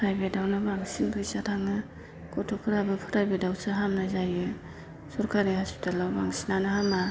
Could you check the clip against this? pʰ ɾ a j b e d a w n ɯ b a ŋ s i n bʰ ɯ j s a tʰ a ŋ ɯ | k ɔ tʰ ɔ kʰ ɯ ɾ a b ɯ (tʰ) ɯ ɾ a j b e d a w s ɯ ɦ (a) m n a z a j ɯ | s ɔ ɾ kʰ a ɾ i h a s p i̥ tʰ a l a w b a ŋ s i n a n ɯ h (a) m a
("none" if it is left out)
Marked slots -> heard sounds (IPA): pʰ, a, a

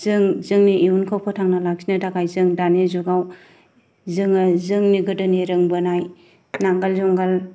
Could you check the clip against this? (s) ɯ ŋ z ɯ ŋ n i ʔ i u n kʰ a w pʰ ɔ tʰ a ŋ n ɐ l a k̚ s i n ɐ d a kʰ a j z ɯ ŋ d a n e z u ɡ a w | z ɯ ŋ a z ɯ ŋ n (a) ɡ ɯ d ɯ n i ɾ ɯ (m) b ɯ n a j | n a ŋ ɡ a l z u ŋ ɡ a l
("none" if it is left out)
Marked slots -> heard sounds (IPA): z, i, ŋ

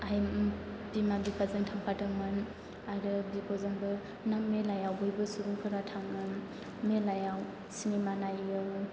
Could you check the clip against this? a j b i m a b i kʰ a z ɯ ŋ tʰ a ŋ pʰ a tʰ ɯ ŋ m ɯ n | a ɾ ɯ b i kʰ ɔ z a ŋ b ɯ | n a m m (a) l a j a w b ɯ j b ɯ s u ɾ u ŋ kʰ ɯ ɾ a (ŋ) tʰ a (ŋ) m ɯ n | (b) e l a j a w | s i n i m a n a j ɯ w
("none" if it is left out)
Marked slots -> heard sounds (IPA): e, none, ŋ, m

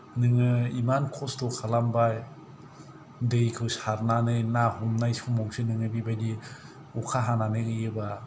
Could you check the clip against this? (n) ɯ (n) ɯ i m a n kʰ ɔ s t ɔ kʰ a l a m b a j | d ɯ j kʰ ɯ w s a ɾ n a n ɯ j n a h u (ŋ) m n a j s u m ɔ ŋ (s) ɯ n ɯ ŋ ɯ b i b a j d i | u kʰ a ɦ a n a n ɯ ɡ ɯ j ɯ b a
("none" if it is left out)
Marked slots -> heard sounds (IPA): n, ŋ, none, s

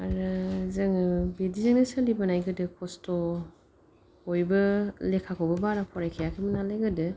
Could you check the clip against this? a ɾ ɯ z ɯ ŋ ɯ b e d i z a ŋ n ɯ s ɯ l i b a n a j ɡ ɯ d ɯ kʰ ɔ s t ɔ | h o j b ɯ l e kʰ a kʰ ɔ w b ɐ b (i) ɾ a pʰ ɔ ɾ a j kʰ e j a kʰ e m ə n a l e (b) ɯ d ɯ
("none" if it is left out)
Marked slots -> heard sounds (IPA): a, ɡ

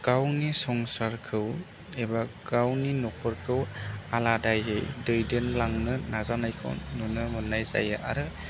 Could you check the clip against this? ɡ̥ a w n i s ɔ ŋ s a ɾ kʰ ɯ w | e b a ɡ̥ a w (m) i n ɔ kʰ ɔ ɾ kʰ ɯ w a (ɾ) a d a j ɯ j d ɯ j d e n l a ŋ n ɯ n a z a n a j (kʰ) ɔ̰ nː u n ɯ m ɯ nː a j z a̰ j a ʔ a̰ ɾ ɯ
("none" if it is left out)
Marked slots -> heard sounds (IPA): n, l, kʰ

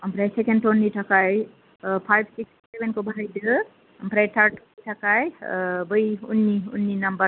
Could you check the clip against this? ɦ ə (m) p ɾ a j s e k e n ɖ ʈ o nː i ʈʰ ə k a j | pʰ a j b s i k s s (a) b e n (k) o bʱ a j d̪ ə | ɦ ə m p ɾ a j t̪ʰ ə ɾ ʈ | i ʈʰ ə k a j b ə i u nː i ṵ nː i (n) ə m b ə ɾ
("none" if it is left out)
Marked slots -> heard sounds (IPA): m, e, k, n

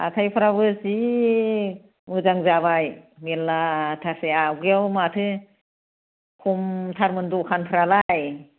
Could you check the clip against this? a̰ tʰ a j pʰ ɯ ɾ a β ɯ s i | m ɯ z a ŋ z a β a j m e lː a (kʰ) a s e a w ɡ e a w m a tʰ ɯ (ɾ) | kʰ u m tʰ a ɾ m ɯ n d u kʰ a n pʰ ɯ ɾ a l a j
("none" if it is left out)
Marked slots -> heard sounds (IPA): tʰ, none

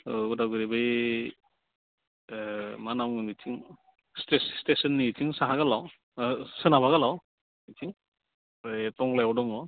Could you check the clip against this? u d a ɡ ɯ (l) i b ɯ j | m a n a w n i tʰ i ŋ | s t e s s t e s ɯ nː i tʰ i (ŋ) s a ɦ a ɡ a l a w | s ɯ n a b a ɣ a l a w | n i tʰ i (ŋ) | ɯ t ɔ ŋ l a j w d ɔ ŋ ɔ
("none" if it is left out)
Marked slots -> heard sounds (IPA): ɾ, ŋ, ŋ

